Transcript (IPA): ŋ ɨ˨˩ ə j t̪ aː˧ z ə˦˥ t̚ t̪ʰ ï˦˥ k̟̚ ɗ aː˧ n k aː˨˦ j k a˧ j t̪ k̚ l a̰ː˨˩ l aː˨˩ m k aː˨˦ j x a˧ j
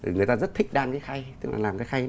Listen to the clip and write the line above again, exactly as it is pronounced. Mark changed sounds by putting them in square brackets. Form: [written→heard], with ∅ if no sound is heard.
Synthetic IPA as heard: ŋ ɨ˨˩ ə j t̪ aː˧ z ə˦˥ t̚ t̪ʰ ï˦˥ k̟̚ ɗ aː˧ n k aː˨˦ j [k→x] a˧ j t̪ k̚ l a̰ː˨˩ l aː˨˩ m k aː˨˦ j x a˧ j